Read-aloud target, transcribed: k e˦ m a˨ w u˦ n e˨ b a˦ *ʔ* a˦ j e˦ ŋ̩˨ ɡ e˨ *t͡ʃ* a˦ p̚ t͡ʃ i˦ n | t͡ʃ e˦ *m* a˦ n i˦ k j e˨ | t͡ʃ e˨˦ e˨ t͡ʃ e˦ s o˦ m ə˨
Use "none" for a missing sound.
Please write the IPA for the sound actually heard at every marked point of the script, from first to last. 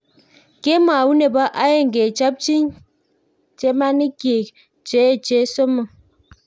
ʔ, t͡ʃ, m

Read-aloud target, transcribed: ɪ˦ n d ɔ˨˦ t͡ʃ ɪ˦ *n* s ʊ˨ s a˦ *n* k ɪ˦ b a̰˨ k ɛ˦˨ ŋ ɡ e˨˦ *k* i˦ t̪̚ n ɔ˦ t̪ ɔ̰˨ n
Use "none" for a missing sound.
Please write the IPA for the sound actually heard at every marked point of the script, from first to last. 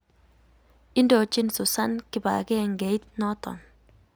n, n, none

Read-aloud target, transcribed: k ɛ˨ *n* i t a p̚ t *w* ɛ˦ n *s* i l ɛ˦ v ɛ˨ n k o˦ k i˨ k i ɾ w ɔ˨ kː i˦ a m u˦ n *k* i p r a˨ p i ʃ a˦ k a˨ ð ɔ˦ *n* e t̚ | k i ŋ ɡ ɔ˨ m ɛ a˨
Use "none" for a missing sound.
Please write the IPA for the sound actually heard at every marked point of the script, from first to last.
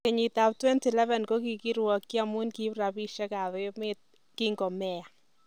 ɲ, w, t, k, m

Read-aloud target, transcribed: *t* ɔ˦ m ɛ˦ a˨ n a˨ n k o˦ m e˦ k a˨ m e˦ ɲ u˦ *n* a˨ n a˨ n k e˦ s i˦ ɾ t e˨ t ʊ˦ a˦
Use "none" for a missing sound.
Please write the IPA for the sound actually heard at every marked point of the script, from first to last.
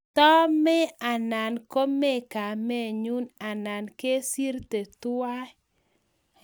t, n

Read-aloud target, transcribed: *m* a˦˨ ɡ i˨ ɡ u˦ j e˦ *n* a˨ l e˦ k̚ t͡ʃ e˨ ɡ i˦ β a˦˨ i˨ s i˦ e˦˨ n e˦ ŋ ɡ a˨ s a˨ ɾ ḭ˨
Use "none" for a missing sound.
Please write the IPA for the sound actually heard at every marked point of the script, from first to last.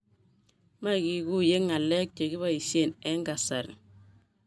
m, ŋ

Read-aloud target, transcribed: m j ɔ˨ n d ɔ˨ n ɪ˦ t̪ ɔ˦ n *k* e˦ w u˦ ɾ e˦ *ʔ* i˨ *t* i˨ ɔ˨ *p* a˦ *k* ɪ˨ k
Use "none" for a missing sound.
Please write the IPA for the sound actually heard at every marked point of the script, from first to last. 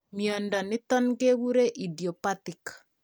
ɡ, ʔ, d, p, t

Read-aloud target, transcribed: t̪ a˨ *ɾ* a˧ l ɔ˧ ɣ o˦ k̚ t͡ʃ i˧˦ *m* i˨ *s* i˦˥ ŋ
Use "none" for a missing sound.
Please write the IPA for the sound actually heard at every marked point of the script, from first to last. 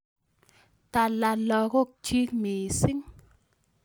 l, m, s

